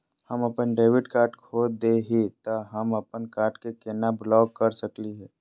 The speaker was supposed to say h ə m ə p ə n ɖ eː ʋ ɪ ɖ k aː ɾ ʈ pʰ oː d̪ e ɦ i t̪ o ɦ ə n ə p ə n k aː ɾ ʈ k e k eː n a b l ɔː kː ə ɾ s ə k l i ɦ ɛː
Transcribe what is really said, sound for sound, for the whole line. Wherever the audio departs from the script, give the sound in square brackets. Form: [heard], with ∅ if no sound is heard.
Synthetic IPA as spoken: h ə m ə p ə n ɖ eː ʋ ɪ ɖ k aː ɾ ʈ [kʰ] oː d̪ e ɦ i t̪ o ɦ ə [m] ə p ə n k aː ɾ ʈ k e k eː n a b l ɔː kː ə ɾ s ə k l i ɦ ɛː